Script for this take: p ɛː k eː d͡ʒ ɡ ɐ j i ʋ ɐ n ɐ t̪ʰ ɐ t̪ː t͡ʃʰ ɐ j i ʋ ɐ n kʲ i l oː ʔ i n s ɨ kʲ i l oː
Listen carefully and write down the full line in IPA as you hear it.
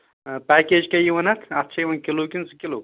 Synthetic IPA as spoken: p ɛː k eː d͡ʒ k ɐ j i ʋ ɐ n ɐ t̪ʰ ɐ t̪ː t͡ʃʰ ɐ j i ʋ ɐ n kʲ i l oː k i n s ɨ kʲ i l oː